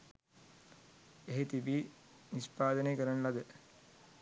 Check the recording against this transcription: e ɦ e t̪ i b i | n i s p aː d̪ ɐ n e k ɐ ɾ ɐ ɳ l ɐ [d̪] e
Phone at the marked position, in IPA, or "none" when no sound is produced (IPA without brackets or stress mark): d̪